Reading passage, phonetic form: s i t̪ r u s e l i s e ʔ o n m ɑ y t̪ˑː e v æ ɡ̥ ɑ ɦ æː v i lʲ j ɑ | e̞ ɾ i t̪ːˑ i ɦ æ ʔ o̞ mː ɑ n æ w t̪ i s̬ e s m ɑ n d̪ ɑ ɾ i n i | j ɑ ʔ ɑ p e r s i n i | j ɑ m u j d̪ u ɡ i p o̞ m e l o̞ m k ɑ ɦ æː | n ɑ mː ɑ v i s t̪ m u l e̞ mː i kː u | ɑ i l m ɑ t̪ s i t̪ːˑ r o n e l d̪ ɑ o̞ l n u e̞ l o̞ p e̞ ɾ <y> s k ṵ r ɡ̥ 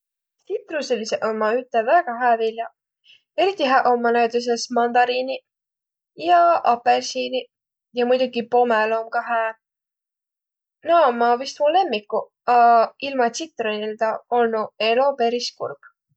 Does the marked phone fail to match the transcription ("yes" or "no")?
yes